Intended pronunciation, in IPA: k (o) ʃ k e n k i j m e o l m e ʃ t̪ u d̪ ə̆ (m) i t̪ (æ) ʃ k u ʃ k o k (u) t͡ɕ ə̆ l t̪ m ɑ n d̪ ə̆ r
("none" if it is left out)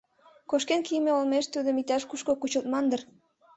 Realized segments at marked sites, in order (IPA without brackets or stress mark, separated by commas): o, m, æ, u